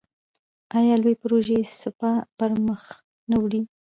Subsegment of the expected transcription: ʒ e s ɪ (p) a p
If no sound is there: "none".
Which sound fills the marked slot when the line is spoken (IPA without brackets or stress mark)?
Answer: p